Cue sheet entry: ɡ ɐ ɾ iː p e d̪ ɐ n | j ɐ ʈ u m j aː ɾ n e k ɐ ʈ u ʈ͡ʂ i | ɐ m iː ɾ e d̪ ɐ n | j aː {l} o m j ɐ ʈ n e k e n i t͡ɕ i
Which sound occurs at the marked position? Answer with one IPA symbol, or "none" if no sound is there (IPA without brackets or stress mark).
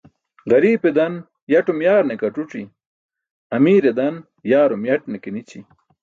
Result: ɾ